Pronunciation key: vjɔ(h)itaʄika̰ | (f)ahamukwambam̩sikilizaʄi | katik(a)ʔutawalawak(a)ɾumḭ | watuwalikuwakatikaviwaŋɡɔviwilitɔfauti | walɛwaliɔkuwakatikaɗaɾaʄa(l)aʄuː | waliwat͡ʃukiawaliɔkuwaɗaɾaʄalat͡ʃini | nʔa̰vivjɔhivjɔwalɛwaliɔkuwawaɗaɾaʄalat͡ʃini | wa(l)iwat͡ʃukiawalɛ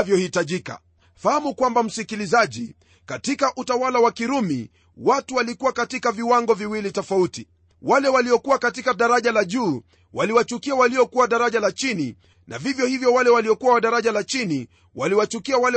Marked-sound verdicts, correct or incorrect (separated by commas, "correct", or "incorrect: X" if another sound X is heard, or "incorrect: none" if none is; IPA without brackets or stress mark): correct, correct, correct, incorrect: i, correct, correct